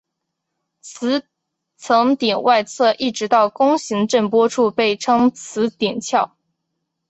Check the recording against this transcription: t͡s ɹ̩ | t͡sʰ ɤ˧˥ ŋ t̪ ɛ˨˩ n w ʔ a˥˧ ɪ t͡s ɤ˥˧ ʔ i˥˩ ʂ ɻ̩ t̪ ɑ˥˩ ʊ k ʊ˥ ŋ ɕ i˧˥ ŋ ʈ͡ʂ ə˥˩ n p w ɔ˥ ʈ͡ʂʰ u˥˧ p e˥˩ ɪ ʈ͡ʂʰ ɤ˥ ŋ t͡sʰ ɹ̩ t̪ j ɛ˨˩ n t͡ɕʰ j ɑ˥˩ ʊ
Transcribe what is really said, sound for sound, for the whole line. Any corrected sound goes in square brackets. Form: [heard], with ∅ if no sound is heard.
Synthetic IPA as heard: [t͡sʰ] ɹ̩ | t͡sʰ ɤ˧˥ ŋ t̪ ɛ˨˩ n w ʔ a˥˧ ɪ [t͡sʰ] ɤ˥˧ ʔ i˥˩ [ʈ͡ʂ] ɻ̩ t̪ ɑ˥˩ ʊ k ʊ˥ ŋ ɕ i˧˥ ŋ ʈ͡ʂ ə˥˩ n p w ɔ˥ ʈ͡ʂʰ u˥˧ p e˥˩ ɪ ʈ͡ʂʰ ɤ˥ ŋ t͡sʰ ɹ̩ t̪ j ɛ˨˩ n t͡ɕʰ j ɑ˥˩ ʊ